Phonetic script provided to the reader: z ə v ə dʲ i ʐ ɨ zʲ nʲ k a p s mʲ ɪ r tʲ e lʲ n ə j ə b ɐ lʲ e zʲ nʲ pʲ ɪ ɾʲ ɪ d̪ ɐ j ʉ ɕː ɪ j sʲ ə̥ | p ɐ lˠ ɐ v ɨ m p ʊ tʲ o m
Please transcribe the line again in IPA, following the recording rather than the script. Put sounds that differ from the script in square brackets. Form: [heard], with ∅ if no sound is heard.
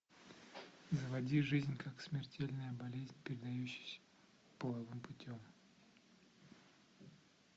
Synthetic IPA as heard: z ə v [ɐ] dʲ i ʐ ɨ zʲ nʲ k a [k] s mʲ ɪ r tʲ e lʲ n ə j ə b ɐ lʲ e zʲ nʲ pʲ ɪ ɾʲ ɪ d̪ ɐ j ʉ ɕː ɪ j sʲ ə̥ | p [ə] lˠ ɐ v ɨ m p ʊ tʲ o m